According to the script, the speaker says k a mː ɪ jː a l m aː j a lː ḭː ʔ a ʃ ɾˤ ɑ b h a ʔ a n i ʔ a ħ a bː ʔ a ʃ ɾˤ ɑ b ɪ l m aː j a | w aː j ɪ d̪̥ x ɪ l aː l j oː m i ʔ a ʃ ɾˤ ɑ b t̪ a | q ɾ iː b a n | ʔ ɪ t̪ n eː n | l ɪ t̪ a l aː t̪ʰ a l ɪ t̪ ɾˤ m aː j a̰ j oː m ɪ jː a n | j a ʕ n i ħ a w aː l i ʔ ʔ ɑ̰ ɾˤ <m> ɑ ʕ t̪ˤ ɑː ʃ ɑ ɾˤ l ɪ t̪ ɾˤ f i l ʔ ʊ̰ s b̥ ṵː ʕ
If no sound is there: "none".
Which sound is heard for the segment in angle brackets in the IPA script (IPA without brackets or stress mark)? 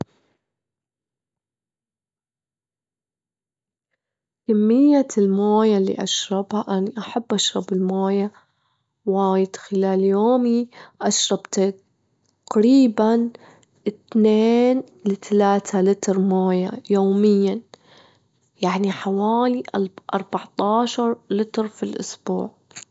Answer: b